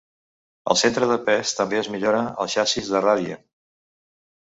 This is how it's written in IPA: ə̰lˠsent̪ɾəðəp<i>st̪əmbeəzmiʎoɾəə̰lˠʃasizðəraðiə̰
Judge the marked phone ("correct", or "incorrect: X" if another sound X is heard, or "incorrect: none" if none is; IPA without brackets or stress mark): incorrect: ɛ